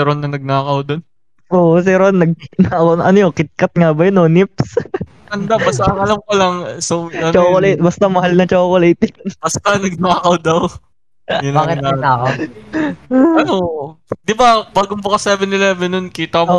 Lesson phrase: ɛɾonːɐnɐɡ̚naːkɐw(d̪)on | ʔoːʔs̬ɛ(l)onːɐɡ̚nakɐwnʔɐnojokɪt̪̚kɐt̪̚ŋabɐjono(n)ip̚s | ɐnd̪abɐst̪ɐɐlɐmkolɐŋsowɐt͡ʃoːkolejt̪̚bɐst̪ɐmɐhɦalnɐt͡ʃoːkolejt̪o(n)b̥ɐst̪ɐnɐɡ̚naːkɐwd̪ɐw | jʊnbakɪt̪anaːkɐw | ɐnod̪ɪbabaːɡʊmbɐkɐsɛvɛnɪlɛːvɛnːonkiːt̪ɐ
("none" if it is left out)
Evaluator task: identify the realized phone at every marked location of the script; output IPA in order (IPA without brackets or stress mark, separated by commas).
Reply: d̪, ɾ, n, n